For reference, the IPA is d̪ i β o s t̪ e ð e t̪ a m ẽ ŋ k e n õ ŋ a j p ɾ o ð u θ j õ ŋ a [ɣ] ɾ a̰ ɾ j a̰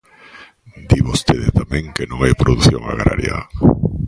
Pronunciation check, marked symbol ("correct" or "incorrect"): correct